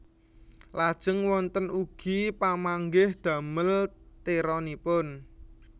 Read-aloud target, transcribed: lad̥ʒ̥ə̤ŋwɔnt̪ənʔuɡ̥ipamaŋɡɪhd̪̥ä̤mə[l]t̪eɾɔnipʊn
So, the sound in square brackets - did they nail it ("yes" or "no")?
yes